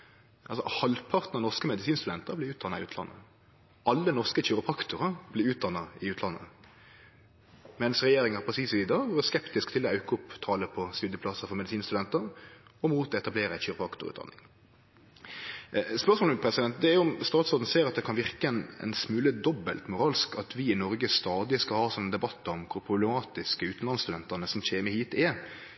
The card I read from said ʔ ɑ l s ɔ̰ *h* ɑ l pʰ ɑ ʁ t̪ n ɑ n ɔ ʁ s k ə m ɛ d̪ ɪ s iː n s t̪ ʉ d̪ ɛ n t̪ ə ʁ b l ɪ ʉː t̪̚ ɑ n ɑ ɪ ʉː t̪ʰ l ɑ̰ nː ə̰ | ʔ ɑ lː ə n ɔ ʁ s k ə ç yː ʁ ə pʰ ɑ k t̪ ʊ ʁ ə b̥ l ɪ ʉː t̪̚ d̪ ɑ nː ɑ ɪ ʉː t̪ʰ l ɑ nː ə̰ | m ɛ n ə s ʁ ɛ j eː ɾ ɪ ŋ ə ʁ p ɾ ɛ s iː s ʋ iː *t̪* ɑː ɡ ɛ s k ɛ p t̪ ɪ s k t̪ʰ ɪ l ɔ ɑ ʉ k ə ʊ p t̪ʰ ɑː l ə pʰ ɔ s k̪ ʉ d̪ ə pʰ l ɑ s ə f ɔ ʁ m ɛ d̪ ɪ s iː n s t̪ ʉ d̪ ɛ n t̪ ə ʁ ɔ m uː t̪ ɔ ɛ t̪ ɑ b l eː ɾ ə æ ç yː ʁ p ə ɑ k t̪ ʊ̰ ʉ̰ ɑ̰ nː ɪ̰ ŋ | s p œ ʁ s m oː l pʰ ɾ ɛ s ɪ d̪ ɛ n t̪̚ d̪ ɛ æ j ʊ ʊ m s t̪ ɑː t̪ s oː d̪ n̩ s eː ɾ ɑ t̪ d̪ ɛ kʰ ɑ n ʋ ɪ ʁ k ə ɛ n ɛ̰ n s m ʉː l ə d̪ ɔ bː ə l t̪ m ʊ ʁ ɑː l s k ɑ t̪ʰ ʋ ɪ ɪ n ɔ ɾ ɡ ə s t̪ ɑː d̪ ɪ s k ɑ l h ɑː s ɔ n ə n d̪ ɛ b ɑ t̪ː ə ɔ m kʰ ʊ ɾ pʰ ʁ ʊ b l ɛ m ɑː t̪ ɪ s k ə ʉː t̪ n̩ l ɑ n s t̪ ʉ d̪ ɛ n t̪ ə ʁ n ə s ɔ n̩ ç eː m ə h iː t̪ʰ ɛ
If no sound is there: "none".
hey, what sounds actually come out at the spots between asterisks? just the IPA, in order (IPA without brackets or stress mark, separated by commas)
h, d̪